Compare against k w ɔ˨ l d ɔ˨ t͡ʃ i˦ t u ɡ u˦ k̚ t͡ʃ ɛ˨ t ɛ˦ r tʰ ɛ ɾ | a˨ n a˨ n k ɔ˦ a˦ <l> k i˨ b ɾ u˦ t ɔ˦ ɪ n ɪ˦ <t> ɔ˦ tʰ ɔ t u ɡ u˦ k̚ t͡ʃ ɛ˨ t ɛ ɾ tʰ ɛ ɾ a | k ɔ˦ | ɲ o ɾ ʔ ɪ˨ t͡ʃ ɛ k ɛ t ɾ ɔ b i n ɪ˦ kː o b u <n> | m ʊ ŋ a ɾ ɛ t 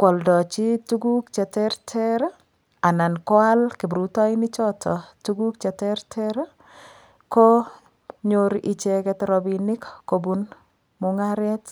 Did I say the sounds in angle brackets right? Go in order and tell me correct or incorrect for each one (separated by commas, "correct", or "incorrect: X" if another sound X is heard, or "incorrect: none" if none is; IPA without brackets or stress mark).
correct, incorrect: t͡ʃ, correct